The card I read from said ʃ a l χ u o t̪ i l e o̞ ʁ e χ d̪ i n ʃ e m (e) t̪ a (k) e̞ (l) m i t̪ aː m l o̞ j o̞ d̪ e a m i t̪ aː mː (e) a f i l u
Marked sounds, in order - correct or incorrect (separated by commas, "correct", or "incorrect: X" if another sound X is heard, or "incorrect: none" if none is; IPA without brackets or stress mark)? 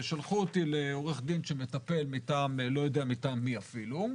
correct, incorrect: p, correct, incorrect: i